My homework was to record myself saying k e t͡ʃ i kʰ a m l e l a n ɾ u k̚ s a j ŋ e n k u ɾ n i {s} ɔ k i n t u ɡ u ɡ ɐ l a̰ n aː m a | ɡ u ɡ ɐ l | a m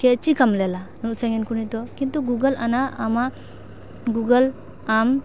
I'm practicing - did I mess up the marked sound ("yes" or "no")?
yes